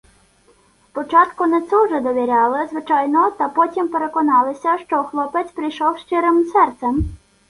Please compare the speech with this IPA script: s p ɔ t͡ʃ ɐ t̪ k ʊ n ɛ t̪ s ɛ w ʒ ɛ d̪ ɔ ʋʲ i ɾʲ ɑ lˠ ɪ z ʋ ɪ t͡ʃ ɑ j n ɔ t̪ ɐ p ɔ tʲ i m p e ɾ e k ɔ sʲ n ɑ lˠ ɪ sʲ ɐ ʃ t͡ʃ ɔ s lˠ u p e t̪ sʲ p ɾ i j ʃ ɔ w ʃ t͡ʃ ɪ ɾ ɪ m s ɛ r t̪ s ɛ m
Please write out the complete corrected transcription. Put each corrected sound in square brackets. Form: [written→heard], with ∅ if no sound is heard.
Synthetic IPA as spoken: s p ɔ t͡ʃ [ɐ→ɑ] t̪ k ʊ n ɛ t̪ s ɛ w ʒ ɛ d̪ ɔ ʋʲ i ɾʲ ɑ lˠ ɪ z ʋ ɪ t͡ʃ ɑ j n ɔ t̪ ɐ p ɔ tʲ i m p e ɾ e k ɔ [sʲ→∅] n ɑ lˠ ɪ sʲ ɐ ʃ t͡ʃ ɔ [s→x] lˠ [u→ɔ] p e t̪ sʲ p ɾ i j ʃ ɔ w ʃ t͡ʃ ɪ ɾ ɪ m s ɛ r t̪ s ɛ m